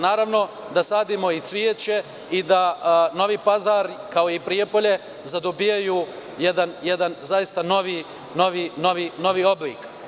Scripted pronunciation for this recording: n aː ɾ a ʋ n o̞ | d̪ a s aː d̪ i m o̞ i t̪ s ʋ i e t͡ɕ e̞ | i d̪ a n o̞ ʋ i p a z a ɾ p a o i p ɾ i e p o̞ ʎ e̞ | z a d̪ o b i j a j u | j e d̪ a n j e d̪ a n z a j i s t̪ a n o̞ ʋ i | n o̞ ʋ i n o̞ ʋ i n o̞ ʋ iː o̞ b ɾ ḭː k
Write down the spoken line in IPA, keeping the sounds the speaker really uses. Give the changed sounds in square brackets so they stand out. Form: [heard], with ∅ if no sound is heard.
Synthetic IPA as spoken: n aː ɾ a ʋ n o̞ | d̪ a s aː d̪ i m o̞ i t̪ s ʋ i e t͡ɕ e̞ | i d̪ a n o̞ ʋ i p a z a ɾ [k] a o i p ɾ i e p o̞ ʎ e̞ | z a d̪ o b i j a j u | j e d̪ a n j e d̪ a n z a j i s t̪ a n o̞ ʋ i | n o̞ ʋ i n o̞ ʋ i n o̞ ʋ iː o̞ b [l] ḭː k